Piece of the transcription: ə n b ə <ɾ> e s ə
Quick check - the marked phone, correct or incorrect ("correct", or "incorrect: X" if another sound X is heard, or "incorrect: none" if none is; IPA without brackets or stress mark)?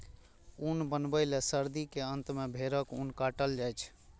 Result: incorrect: l